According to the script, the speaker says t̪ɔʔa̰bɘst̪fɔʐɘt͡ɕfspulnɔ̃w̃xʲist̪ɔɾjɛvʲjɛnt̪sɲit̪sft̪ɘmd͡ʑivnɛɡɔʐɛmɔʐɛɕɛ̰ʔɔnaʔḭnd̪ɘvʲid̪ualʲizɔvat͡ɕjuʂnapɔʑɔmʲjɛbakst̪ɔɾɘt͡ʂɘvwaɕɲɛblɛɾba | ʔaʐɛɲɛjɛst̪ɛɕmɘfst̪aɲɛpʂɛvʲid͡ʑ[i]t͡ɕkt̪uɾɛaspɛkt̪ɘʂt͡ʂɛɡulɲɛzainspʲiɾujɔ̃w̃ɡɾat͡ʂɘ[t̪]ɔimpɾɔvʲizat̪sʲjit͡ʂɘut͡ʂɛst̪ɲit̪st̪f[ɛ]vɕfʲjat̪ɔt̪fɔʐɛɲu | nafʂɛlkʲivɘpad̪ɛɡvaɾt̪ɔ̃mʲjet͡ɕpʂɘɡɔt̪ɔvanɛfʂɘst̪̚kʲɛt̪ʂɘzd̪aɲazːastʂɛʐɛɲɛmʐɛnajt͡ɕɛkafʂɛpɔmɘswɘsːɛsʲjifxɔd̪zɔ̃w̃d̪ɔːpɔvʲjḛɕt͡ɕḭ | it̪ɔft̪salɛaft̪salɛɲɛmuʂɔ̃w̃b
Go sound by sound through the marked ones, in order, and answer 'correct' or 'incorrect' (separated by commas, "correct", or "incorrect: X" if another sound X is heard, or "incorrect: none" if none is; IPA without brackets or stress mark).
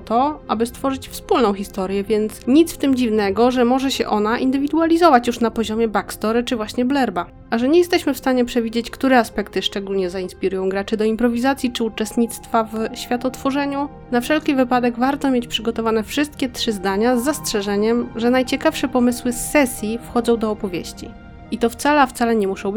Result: incorrect: e, incorrect: d̪, incorrect: a